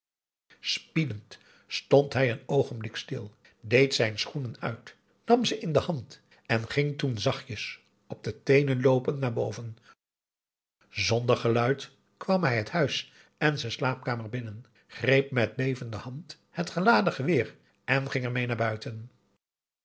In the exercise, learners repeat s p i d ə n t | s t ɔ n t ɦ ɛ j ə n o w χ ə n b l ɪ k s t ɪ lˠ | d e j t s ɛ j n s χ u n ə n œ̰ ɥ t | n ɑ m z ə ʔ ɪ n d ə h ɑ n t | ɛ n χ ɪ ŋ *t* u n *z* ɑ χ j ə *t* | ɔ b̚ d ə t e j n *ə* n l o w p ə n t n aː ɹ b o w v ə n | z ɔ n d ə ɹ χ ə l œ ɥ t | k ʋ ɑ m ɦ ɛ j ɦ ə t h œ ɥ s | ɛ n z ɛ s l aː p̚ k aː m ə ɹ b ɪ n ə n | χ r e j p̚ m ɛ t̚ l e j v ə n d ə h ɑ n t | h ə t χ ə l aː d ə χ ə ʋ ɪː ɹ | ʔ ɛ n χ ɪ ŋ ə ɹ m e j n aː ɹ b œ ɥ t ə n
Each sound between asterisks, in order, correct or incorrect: correct, correct, incorrect, correct

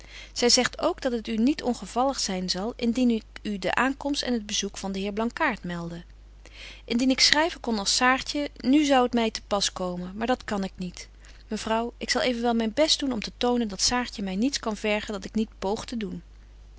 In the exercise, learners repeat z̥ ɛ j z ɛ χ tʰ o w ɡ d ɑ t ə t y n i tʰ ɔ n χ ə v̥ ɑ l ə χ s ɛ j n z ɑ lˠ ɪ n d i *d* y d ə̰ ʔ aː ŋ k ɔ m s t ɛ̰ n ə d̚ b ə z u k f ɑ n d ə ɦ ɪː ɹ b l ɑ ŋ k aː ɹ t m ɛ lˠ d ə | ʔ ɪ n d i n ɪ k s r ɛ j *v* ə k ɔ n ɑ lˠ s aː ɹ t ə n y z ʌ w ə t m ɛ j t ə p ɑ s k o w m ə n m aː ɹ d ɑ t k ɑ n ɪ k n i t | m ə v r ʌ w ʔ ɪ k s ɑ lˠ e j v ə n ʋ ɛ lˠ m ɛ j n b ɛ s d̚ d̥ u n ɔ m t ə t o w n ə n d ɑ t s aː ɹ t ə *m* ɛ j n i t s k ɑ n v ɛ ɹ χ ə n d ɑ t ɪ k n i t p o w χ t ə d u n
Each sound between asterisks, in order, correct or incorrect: incorrect, correct, correct

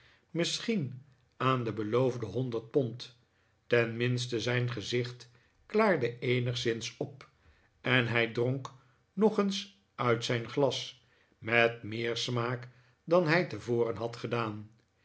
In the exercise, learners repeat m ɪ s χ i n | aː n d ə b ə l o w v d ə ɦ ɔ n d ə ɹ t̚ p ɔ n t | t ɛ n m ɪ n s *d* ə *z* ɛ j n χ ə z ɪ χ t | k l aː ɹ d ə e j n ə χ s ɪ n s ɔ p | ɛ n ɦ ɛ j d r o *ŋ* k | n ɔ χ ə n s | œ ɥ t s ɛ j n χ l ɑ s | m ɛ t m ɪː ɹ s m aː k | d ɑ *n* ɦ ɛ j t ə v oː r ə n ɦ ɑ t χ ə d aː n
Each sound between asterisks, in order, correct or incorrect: incorrect, correct, correct, correct

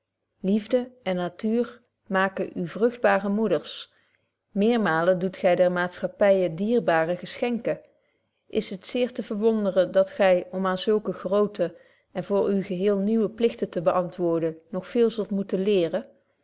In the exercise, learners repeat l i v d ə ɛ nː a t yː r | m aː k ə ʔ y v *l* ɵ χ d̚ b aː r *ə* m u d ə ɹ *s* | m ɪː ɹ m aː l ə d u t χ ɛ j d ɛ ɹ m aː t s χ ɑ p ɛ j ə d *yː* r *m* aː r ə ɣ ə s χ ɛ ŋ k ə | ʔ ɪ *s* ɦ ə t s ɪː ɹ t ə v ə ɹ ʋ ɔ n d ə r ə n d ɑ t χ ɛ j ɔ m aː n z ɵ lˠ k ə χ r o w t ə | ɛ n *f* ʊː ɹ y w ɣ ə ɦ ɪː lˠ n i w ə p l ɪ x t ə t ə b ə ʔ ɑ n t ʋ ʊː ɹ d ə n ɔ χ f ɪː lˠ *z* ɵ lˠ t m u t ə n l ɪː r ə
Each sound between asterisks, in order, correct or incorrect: incorrect, correct, correct, incorrect, incorrect, correct, incorrect, correct

